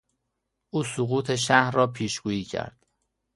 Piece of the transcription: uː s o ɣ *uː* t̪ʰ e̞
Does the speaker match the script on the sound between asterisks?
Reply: yes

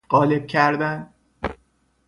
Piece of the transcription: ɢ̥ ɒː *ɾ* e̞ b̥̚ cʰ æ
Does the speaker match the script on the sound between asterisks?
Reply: no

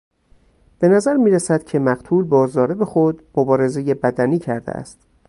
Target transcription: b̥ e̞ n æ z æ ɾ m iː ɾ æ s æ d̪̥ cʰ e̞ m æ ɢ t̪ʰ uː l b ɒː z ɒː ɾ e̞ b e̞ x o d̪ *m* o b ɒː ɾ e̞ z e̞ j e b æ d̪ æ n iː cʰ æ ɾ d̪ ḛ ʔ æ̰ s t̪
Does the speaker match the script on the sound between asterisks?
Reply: yes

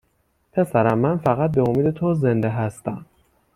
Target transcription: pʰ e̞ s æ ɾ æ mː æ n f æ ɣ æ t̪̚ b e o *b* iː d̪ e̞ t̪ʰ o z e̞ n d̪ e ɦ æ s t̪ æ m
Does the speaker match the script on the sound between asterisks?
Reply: no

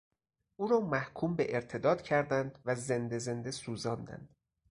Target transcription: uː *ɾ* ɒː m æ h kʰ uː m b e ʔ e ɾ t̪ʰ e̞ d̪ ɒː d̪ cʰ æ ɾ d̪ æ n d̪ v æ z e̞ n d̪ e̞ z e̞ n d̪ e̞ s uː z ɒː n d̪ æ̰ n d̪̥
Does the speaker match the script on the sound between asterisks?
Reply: yes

